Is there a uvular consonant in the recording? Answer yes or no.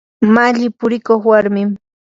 yes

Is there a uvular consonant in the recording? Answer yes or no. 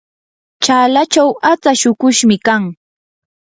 no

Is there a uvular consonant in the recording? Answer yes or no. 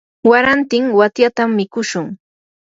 no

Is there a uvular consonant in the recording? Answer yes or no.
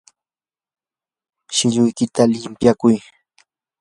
no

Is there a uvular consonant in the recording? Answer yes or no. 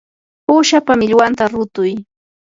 no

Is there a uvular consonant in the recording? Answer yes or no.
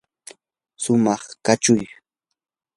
yes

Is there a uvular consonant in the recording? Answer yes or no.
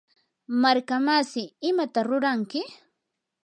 no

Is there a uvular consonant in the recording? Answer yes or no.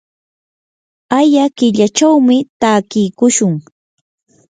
no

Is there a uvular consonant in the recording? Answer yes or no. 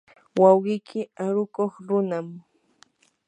yes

